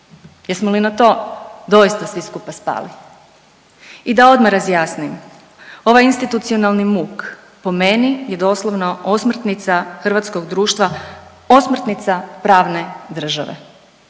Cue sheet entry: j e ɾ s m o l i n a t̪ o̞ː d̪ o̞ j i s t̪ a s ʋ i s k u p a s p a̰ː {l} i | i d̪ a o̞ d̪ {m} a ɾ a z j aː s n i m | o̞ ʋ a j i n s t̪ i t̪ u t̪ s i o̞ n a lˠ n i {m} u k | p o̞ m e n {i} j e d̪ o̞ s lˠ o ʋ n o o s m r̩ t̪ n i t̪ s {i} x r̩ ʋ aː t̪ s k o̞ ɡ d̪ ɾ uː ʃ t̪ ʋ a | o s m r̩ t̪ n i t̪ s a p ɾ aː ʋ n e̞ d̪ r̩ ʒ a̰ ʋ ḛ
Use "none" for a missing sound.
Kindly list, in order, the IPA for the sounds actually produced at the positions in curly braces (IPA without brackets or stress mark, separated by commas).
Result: l, m, m, i, a